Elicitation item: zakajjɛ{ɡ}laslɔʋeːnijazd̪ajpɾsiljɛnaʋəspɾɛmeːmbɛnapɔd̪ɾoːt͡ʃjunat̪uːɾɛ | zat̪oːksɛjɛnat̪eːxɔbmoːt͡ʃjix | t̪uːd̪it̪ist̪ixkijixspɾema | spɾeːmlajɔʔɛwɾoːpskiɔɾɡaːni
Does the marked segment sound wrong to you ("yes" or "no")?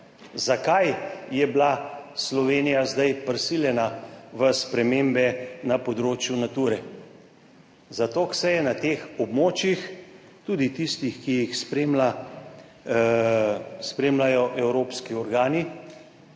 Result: yes